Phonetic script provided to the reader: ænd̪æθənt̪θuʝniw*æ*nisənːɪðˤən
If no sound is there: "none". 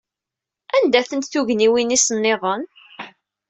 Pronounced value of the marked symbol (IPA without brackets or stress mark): i